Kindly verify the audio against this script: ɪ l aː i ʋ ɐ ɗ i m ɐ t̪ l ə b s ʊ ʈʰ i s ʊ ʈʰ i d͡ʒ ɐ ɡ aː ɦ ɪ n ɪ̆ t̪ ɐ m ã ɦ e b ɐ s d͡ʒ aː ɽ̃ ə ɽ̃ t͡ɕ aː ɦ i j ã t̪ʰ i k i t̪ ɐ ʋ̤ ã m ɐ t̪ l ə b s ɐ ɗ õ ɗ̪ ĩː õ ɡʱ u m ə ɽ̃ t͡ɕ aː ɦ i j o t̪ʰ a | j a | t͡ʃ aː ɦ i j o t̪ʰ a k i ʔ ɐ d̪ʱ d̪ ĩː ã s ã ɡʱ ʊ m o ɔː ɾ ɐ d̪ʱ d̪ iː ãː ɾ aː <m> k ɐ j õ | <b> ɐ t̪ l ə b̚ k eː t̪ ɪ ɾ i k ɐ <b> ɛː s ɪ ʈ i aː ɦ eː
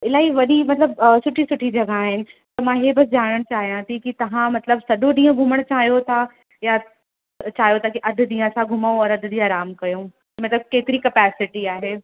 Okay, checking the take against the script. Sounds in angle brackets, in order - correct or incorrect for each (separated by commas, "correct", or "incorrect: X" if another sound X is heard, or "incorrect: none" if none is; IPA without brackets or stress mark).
correct, incorrect: m, incorrect: p